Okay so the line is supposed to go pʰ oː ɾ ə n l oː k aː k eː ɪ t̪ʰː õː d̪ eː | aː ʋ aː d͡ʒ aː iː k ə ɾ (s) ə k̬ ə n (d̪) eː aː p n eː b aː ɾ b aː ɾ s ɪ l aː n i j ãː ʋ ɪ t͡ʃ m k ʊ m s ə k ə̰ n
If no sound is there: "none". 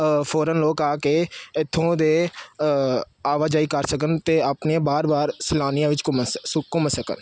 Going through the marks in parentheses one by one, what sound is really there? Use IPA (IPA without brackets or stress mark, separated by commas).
s, t̪